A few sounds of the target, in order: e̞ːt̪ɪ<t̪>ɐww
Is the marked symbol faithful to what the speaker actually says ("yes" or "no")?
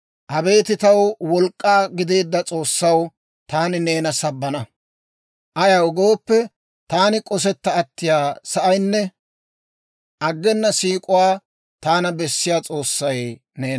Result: yes